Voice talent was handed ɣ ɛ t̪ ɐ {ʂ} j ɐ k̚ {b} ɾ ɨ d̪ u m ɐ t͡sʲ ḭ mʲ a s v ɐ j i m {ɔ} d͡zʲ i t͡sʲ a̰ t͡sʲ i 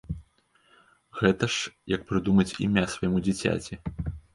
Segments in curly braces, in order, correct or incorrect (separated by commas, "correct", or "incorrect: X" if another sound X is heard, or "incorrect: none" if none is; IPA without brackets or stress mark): correct, incorrect: p, incorrect: u